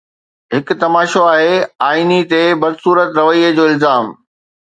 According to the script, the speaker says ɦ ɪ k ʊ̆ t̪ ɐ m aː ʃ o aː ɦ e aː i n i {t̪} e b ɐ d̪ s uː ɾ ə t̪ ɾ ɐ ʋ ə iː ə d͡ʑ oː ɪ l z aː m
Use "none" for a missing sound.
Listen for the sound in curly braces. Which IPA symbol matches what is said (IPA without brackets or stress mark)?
t̪